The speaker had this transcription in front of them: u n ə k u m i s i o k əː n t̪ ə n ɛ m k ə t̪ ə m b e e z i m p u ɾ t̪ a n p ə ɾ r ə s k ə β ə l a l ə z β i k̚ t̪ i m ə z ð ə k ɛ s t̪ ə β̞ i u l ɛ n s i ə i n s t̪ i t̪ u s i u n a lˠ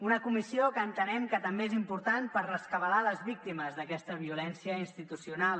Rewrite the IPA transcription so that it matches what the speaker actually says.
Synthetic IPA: u n ə k u m i s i o k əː n t̪ ə n ɛ m k ə t̪ ə m b e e z i m p u ɾ t̪ a n p ə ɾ r ə s k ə β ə l a l ə z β i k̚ t̪ i m ə z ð ə k ɛ s t̪ ə β̞ i u l ɛ n s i ə i n s t̪ i t̪ u s i u n a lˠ